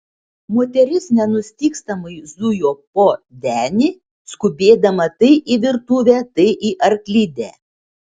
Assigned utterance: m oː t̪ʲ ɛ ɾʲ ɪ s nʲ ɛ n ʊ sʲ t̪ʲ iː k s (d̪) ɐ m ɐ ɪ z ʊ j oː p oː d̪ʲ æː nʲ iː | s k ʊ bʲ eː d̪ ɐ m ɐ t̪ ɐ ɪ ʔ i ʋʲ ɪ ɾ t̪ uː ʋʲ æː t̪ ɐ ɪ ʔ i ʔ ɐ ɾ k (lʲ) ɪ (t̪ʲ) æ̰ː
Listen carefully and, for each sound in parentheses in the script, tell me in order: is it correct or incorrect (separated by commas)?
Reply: incorrect, correct, incorrect